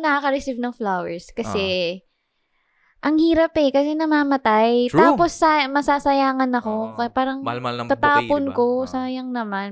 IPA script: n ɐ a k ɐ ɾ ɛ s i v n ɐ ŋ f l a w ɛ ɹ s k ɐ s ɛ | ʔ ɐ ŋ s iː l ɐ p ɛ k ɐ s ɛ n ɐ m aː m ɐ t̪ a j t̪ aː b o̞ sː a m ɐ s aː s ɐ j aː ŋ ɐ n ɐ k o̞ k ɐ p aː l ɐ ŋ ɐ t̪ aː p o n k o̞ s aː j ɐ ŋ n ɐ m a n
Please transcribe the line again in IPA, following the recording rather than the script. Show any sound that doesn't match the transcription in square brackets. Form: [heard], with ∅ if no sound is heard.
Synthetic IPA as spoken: n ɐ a k ɐ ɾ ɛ s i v n ɐ ŋ f l a w ɛ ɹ s k ɐ s ɛ | ʔ ɐ ŋ [h] iː [ɾ] ɐ p ɛ k ɐ s ɛ n ɐ m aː m ɐ t̪ a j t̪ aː [p] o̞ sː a m ɐ s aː s ɐ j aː ŋ ɐ n ɐ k o̞ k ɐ p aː [ɾ] ɐ ŋ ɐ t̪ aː p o n k o̞ s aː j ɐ ŋ n ɐ m a n